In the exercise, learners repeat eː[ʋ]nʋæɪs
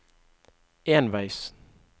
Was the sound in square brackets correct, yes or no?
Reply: no